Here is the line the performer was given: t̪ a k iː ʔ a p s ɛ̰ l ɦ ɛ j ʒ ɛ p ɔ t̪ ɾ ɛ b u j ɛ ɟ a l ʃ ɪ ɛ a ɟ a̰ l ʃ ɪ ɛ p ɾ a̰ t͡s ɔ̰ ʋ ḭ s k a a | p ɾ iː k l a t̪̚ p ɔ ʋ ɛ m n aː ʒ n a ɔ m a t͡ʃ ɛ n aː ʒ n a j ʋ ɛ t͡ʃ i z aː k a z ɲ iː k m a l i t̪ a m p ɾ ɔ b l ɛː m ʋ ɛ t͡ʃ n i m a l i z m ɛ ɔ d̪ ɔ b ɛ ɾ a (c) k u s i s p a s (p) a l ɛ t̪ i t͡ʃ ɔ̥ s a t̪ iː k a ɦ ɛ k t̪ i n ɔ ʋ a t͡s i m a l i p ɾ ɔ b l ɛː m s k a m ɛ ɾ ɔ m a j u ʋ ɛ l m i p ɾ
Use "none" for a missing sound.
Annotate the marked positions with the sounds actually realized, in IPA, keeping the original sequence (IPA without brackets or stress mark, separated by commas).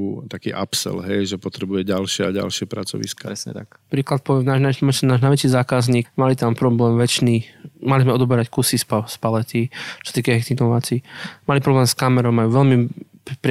c, p